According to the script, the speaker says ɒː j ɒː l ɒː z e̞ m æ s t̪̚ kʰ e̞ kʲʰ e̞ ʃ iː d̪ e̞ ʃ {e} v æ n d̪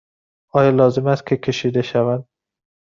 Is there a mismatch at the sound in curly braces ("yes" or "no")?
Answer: yes